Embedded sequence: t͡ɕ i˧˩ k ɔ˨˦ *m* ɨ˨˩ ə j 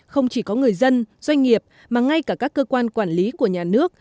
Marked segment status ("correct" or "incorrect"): incorrect